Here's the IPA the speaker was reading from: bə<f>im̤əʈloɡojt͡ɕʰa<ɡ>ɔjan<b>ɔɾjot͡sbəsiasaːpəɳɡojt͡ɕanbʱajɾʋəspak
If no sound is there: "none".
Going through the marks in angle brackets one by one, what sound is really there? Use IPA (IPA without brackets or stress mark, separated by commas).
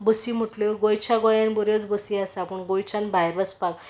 s, ɡ, b